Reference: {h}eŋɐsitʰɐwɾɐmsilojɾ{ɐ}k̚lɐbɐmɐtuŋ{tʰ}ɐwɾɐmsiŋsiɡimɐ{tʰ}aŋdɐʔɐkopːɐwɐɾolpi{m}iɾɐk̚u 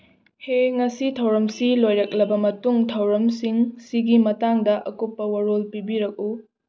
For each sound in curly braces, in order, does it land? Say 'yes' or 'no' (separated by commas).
yes, yes, yes, no, no